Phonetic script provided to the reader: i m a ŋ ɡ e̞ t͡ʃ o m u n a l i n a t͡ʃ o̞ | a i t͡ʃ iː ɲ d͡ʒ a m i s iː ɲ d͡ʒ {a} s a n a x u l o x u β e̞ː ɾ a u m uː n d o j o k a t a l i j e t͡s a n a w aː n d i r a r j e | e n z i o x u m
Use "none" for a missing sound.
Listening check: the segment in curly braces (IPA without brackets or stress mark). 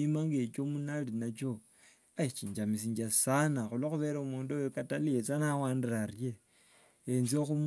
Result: a